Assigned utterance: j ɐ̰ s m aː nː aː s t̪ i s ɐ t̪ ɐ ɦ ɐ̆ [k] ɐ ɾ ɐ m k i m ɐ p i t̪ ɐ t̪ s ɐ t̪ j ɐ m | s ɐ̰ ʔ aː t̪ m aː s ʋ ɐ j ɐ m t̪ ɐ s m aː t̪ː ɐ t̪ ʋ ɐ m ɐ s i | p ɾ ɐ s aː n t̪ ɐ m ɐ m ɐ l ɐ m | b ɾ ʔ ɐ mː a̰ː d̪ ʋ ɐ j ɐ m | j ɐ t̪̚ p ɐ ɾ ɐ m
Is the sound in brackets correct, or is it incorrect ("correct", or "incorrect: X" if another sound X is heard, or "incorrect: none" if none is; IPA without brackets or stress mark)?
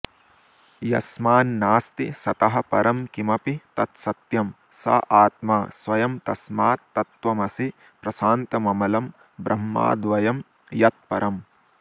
incorrect: p